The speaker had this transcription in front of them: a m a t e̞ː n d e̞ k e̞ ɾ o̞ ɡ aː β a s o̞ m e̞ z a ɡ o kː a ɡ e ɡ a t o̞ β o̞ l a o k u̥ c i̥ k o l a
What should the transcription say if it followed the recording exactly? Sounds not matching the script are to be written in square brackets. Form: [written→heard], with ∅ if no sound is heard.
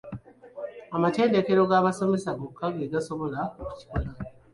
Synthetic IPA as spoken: a m a t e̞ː n d e̞ k e̞ ɾ o̞ ɡ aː β a s o̞ m e̞ [z→s] a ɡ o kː a ɡ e ɡ a [t→s] o̞ β o̞ l a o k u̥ c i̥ k o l a